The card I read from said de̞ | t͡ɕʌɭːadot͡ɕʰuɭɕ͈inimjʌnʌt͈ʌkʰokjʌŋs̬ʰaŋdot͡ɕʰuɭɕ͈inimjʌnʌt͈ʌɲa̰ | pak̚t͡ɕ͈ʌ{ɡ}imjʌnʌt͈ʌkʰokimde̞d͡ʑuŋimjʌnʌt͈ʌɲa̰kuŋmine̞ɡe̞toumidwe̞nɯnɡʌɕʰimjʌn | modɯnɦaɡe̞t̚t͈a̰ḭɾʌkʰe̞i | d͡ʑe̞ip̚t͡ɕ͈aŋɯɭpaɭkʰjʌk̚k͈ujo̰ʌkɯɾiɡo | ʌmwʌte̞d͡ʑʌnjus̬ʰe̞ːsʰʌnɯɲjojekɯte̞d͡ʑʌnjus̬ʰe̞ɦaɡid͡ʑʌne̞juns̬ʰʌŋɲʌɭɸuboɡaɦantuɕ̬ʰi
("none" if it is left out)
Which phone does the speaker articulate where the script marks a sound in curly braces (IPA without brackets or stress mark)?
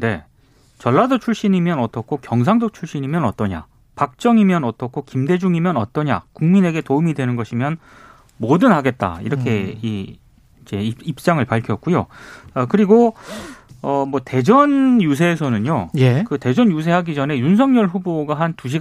ŋ